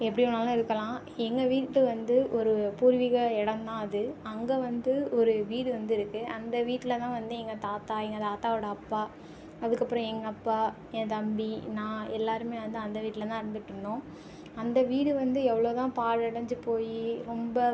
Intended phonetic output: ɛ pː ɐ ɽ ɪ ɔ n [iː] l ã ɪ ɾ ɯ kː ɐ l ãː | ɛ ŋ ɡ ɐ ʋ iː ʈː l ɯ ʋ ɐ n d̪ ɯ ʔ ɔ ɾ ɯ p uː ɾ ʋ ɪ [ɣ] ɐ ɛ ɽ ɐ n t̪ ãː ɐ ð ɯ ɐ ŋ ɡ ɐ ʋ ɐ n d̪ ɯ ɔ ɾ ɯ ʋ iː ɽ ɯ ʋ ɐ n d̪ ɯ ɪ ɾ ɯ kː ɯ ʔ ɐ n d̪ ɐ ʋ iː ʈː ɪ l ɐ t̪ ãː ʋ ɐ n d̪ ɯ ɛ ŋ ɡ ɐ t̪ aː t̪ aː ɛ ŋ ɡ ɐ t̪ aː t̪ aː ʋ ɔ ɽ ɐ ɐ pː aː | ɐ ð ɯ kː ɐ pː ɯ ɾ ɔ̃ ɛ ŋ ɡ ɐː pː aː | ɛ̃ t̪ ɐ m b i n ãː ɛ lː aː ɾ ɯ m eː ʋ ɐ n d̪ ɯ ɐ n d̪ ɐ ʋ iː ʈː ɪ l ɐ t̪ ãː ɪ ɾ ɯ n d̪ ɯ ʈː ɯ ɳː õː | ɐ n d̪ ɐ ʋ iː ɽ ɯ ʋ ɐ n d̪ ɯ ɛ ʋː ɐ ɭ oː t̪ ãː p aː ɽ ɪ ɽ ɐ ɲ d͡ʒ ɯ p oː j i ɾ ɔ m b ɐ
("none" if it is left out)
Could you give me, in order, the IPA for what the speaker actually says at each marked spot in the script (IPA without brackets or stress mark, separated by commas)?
aː, ɣ